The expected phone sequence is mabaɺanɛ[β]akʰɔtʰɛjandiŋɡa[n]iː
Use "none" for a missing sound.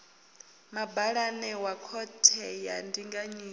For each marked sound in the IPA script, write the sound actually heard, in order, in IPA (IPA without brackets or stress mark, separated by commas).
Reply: w, ɲ